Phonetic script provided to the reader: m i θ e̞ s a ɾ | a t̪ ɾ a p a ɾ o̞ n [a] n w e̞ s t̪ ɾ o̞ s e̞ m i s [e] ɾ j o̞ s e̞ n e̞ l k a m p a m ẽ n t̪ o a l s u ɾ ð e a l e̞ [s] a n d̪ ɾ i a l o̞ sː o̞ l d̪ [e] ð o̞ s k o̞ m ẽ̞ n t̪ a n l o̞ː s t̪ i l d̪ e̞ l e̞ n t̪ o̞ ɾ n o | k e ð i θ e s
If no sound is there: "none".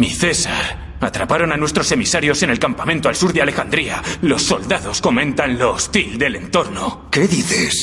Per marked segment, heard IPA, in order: a, a, x, a

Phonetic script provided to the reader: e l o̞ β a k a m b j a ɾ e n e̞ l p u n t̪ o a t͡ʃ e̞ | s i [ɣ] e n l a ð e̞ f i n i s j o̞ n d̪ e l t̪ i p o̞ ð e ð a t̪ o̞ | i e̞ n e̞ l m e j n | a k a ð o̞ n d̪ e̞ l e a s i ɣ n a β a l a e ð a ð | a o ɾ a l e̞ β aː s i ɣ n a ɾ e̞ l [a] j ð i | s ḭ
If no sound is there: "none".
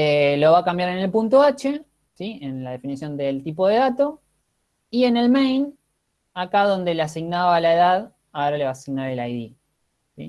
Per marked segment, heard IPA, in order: none, a

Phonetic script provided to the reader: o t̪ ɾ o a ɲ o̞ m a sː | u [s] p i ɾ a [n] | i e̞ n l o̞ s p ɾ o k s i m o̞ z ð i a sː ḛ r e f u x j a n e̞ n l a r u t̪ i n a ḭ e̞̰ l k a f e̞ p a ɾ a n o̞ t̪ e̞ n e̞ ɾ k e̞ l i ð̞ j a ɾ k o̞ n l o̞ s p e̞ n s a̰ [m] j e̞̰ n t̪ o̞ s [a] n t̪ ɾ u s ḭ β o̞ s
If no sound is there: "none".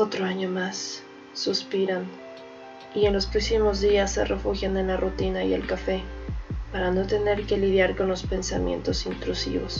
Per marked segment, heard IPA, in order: s, n, m, i

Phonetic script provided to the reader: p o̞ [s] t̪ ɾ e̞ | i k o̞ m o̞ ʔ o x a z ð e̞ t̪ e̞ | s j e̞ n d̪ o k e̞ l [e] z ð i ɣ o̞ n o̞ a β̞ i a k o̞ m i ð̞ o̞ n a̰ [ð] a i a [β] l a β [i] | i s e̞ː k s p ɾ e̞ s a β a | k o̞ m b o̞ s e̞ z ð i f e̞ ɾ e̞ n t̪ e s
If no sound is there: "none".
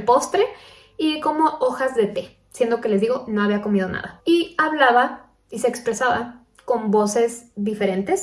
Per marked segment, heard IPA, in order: s, e, ð, β, a

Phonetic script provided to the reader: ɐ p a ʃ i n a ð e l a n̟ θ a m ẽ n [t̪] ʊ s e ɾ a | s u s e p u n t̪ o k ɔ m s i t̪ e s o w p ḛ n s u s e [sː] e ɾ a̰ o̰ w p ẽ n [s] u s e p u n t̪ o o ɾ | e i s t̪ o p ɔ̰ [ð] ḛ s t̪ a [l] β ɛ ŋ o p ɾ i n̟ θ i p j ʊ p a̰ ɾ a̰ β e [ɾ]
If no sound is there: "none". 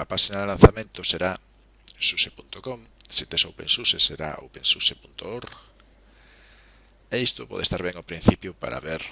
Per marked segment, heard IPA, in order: t̪, s, s, ð, ɾ, ɾ

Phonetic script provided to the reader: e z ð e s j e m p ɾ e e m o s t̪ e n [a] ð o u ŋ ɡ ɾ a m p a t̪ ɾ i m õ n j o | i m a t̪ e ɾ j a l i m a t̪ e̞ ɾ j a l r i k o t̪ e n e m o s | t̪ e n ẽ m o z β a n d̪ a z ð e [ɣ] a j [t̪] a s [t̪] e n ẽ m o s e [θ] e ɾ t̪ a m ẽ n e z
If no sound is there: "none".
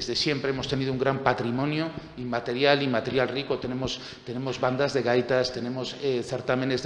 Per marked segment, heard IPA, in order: i, ɣ, t̪, t̪, θ

